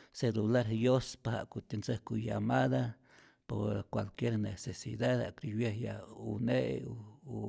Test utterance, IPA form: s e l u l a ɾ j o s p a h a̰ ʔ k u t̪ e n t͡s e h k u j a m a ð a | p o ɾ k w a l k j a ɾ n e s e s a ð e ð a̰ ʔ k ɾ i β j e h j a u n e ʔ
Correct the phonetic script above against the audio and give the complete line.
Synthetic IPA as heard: s e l u l a ɾ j o s p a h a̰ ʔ k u t̪ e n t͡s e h k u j a m a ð a | p o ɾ k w a l k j e ɾ n e s e s i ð a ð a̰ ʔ k ɾ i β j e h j a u n e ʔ